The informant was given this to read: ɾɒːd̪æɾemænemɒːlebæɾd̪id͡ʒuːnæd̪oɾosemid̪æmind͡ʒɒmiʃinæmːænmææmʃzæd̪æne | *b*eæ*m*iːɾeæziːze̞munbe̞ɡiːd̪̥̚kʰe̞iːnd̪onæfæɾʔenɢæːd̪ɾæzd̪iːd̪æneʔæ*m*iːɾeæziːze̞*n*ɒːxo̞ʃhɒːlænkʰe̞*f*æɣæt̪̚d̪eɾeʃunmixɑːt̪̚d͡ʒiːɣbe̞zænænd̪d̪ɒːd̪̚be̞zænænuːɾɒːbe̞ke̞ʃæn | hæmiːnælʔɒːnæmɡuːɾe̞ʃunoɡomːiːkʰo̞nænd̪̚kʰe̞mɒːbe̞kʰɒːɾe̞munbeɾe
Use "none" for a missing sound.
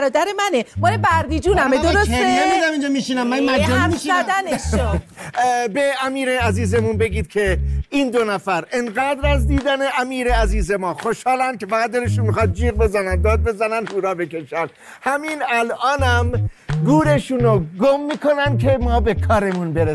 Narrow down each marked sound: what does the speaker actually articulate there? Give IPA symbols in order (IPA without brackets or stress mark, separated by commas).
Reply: b, m, m, m, f